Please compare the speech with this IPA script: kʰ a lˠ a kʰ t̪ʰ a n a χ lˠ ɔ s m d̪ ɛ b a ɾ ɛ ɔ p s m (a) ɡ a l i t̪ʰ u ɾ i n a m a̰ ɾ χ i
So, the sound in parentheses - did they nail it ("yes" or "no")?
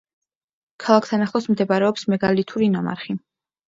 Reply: no